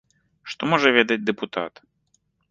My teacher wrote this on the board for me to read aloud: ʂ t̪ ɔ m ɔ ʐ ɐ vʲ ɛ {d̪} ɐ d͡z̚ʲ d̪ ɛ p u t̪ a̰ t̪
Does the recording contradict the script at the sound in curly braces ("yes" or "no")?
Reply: no